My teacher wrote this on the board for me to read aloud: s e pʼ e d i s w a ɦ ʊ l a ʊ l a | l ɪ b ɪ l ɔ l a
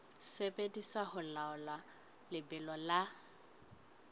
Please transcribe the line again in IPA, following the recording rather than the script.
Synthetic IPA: s e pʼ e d i s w a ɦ ʊ l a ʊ l a | l ɪ b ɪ l ɔ l a